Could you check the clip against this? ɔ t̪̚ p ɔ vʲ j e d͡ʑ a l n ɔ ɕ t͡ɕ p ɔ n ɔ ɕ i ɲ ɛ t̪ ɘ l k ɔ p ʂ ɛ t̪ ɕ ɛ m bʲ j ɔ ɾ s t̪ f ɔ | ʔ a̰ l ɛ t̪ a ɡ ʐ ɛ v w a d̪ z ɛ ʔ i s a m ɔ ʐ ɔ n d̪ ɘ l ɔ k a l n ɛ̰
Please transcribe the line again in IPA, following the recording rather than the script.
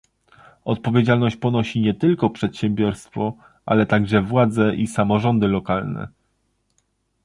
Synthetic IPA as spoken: ɔ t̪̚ p ɔ vʲ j e d͡ʑ a l n ɔ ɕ t͡ɕ p ɔ n ɔ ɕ i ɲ ɛ t̪ ɘ l k ɔ p ʂ ɛ t̪ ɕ ɛ m bʲ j ɔ ɾ s t̪ f ɔ | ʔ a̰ l ɛ t̪ a ɡ ʐ ɛ v w a d̪ z ɛ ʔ i s a m ɔ ʐ ɔ n d̪ ɘ l ɔ k a l n ɛ̰